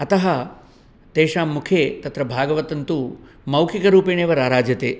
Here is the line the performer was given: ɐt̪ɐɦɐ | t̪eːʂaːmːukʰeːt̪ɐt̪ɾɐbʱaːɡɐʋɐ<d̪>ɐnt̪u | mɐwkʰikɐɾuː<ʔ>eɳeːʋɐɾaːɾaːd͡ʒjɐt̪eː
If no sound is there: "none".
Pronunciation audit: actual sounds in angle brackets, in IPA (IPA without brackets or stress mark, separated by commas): t̪, p